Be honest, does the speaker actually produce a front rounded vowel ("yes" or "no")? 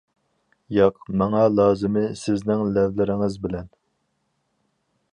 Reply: no